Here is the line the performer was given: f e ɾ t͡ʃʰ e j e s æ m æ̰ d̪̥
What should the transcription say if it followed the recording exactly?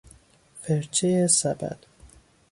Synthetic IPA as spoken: f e ɾ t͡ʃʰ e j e s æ b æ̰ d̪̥